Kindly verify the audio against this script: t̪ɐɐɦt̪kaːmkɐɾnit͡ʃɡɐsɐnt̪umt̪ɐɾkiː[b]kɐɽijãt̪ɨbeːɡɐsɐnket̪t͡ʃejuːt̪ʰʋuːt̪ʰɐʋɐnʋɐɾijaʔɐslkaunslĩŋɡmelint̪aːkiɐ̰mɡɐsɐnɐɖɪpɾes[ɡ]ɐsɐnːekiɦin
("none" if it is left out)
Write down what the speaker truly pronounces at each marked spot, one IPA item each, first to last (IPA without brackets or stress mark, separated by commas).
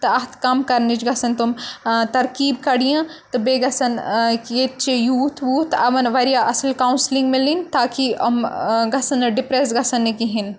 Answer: b, ɡ